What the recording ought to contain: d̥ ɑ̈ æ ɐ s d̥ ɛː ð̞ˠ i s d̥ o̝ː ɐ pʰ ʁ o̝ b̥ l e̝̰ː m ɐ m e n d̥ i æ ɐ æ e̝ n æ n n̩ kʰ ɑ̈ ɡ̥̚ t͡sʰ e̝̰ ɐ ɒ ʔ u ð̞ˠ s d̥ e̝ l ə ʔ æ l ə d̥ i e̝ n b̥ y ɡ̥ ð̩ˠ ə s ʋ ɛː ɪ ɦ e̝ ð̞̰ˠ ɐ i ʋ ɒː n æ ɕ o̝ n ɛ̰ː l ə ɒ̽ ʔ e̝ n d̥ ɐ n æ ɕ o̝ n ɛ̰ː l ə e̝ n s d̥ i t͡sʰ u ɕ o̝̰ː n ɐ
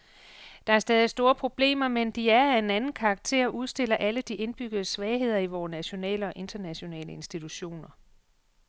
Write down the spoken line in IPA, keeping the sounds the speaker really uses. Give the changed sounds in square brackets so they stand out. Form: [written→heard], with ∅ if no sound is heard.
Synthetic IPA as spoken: d̥ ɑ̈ æ ɐ s d̥ ɛː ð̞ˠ i s d̥ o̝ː ɐ pʰ ʁ o̝ b̥ l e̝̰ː m ɐ m e n d̥ i æ ɐ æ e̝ n æ n n̩ kʰ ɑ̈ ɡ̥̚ t͡sʰ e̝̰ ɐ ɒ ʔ u ð̞ˠ s d̥ e̝ l [ə→ɐ] ʔ æ l ə d̥ i e̝ n b̥ y ɡ̥ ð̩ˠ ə s ʋ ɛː ɪ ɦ e̝ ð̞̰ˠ ɐ i ʋ ɒː n æ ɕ o̝ n ɛ̰ː l ə ɒ̽ ʔ e̝ n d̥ ɐ n æ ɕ o̝ n ɛ̰ː l ə e̝ n s d̥ i t͡sʰ u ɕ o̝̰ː n ɐ